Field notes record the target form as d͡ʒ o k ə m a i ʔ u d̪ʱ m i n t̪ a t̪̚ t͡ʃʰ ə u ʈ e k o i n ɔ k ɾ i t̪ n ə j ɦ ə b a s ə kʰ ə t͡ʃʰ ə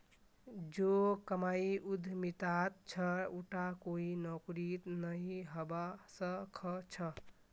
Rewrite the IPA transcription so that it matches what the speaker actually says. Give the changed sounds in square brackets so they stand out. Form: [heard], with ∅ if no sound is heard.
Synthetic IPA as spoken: d͡ʒ o k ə m a i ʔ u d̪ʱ m i [∅] t̪ a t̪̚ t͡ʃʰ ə u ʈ [a] k o i n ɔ k ɾ i t̪ n ə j ɦ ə b a s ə kʰ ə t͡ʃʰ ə